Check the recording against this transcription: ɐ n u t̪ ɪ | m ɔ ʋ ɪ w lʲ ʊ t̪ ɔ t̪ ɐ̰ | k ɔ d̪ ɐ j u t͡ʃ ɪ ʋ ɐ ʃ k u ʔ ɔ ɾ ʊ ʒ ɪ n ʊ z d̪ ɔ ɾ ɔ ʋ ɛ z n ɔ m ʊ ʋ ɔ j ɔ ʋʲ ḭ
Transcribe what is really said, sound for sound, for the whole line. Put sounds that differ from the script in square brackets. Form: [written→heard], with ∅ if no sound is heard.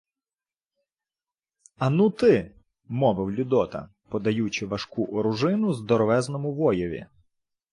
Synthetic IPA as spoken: ɐ n u t̪ ɪ | m ɔ ʋ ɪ w lʲ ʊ [t̪→d̪] ɔ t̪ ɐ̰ | [k→p] ɔ d̪ ɐ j u t͡ʃ ɪ ʋ ɐ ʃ k u ʔ ɔ ɾ ʊ ʒ ɪ n ʊ z d̪ ɔ ɾ ɔ ʋ ɛ z n ɔ m ʊ ʋ ɔ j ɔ ʋʲ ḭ